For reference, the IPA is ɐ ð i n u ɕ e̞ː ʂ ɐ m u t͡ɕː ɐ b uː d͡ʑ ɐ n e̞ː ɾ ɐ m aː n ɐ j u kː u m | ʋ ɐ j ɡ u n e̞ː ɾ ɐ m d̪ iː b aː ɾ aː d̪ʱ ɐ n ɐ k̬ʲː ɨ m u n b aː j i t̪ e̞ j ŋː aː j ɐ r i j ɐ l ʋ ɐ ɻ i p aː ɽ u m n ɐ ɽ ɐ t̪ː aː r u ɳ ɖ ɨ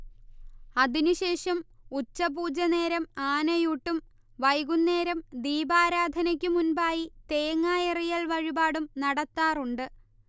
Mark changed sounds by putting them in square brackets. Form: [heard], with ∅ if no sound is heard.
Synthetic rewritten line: ɐ ð i n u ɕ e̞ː ʂ ɐ m u t͡ɕː ɐ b uː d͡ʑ ɐ n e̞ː ɾ ɐ m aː n ɐ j u [ʈː] u m | ʋ ɐ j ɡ u [nː] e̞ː ɾ ɐ m d̪ iː b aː ɾ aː d̪ʱ ɐ n ɐ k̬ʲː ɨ m u n b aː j i t̪ e̞ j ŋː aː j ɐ r i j ɐ l ʋ ɐ ɻ i [b] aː ɽ u m n ɐ ɽ ɐ t̪ː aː r u ɳ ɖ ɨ